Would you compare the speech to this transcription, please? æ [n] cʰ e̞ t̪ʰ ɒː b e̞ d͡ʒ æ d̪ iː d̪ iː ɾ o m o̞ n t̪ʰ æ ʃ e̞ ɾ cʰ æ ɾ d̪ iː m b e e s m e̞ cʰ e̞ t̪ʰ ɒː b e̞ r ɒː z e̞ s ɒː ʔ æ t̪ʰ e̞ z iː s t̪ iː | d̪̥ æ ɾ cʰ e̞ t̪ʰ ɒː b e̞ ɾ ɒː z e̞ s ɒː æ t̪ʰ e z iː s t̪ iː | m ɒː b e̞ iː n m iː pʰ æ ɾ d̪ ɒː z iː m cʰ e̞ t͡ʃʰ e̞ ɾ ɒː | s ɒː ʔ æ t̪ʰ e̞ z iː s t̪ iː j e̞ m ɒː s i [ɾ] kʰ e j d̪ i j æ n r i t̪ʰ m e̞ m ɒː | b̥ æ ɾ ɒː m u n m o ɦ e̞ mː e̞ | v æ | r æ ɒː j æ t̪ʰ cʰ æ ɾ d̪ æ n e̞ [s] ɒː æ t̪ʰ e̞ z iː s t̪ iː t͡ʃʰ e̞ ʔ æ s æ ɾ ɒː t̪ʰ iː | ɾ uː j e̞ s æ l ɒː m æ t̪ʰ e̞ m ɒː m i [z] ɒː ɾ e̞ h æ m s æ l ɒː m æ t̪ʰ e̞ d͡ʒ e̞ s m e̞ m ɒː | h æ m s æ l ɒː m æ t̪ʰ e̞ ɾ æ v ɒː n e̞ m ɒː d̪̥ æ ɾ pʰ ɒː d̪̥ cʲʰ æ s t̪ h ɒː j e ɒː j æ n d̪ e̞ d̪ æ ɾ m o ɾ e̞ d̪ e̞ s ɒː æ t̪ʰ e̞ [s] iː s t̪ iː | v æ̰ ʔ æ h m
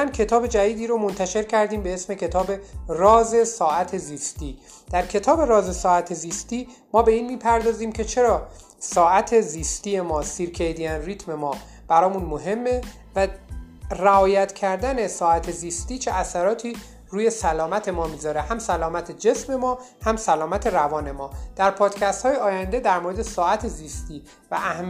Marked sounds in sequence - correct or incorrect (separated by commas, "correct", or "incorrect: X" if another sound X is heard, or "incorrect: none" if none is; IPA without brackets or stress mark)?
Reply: correct, correct, correct, correct, incorrect: z